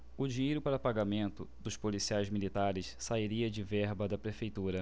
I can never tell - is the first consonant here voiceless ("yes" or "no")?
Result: no